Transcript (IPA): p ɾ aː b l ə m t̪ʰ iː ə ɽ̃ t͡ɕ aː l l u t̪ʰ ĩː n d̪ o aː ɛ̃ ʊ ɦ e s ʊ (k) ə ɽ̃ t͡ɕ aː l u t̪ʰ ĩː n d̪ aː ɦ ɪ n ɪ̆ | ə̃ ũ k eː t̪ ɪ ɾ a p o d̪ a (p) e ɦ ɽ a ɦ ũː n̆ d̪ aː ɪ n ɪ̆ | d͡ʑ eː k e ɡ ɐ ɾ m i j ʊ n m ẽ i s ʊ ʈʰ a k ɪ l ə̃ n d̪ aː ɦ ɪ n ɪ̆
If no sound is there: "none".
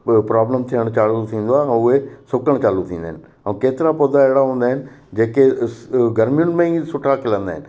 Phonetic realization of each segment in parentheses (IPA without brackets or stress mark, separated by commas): k, none